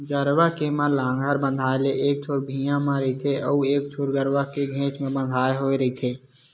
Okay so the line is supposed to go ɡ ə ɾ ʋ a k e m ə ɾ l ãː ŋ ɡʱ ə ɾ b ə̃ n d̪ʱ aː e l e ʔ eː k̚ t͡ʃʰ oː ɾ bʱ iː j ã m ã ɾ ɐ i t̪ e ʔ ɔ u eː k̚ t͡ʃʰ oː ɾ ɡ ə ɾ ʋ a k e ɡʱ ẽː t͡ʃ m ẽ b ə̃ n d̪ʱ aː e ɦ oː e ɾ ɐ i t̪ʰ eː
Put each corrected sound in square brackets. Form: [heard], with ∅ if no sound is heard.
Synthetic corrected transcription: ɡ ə ɾ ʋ a k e m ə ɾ l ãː ŋ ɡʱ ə ɾ b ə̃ n d̪ʱ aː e l e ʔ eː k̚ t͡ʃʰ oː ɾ bʱ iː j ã m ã ɾ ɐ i [t̪ʰ] e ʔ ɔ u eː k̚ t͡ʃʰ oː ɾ ɡ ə ɾ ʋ a k e ɡʱ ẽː t͡ʃ m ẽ b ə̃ n d̪ʱ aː e ɦ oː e ɾ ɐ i t̪ʰ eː